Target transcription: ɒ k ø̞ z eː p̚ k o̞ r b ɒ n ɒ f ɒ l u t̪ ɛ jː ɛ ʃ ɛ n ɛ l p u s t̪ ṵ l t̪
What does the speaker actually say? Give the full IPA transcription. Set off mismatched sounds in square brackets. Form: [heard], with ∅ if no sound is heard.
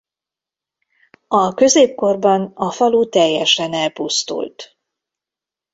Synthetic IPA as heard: ɒ k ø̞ z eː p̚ k o̞ r b ɒ n ɒ f ɒ l u t̪ ɛ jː ɛ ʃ ɛ n ɛ l p u s t̪ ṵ l t̪